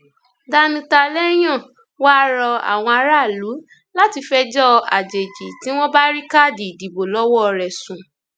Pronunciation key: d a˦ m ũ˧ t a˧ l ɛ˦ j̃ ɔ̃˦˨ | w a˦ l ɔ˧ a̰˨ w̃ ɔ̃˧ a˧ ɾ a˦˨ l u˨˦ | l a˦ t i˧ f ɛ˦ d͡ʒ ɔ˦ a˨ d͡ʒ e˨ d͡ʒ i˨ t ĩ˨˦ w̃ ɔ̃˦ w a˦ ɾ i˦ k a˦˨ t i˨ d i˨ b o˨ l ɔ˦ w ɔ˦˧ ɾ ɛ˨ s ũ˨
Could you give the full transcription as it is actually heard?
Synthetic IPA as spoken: d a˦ n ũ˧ t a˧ l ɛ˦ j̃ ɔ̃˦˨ | w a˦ ɾ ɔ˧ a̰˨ w̃ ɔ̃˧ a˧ ɾ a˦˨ l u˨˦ | l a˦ t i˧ f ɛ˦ d͡ʒ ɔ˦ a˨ d͡ʒ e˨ d͡ʒ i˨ t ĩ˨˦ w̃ ɔ̃˦ b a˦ ɾ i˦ k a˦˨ d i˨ d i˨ b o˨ l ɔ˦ w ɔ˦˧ ɾ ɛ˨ s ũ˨